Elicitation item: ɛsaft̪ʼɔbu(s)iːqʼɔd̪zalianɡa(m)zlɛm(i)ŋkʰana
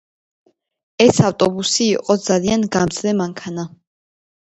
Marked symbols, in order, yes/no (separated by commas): yes, yes, no